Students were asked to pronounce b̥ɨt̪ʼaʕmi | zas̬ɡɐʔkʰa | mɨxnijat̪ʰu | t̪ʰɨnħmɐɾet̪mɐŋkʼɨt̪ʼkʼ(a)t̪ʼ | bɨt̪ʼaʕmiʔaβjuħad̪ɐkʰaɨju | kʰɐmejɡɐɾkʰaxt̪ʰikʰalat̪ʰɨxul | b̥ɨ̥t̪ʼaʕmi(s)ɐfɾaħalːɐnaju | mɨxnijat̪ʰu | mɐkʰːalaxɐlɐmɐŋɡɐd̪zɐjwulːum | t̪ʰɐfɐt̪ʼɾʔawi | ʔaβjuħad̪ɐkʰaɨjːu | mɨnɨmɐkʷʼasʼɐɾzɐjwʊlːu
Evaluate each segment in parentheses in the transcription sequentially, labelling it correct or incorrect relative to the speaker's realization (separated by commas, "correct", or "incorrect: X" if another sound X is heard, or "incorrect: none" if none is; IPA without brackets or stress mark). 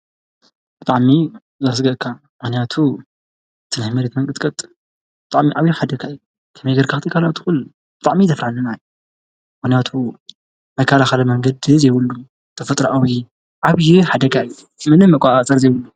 incorrect: ɐ, incorrect: z